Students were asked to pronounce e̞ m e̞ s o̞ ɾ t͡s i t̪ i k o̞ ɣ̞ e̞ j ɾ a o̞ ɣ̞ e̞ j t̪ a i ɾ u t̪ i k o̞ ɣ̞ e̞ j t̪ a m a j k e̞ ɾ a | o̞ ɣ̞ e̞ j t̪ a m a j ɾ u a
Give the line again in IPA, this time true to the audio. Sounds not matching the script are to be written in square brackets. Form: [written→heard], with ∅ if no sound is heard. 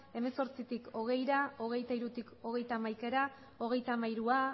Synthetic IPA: e̞ m e̞ s o̞ ɾ t͡s i t̪ i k o̞ ɣ̞ e̞ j ɾ a o̞ ɣ̞ e̞ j t̪ a i ɾ u t̪ i k o̞ ɣ̞ e̞ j t̪ a m a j k e̞ ɾ a | o̞ ɣ̞ e̞ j t̪ a m a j ɾ u a